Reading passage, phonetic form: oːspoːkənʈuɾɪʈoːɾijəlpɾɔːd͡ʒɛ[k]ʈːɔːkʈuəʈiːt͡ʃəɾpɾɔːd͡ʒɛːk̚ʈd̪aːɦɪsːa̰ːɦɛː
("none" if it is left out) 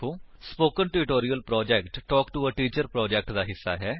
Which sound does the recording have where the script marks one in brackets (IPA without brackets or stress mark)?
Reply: k